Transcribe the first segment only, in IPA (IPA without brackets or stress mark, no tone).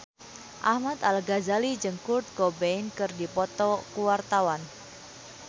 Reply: ʔ